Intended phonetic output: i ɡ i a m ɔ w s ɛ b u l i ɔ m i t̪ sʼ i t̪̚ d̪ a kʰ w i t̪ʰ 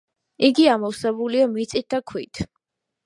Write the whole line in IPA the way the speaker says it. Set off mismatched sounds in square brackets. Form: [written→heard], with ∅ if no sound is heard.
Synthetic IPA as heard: i ɡ i a m ɔ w s ɛ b u l i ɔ m i t̪ sʼ i t̪̚ d̪ a kʰ w i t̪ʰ